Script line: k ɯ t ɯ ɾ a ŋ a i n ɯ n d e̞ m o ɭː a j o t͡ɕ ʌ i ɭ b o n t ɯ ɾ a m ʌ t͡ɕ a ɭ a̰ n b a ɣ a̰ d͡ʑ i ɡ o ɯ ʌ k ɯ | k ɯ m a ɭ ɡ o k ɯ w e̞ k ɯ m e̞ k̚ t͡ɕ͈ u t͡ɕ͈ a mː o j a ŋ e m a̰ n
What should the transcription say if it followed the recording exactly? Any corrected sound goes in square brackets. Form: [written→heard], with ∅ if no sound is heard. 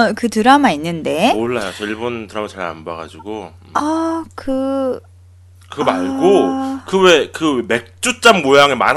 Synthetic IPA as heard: k ɯ t ɯ ɾ a [ŋ→m] a i [n→nː] ɯ n d e̞ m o ɭː a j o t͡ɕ ʌ i ɭ b o n t ɯ ɾ a m [ʌ→a] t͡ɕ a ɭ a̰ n b a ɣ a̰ d͡ʑ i ɡ o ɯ ʌ k ɯ | k ɯ m a ɭ ɡ o k ɯ w e̞ k ɯ m e̞ k̚ t͡ɕ͈ u t͡ɕ͈ a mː o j a ŋ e m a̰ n